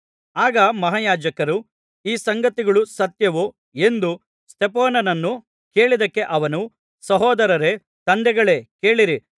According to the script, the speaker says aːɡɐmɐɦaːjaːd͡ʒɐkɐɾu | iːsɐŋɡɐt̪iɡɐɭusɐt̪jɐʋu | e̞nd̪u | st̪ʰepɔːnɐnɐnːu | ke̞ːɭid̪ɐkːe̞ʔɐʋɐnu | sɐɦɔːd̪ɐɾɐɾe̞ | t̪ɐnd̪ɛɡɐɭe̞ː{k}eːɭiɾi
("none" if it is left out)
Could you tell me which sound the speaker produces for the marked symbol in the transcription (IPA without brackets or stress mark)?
k